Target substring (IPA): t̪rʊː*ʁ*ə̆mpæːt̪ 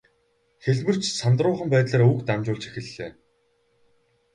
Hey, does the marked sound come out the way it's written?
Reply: no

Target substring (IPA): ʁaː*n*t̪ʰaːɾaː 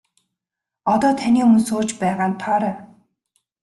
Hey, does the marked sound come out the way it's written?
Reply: yes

